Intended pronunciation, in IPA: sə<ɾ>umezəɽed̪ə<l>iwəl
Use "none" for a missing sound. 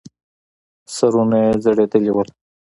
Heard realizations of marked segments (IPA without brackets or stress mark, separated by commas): ɾ, l